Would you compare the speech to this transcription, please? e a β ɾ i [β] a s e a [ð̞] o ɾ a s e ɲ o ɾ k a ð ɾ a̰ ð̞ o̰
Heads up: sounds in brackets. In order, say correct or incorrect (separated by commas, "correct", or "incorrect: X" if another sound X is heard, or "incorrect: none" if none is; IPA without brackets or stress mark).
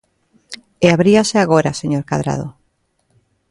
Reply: incorrect: none, incorrect: ɣ̞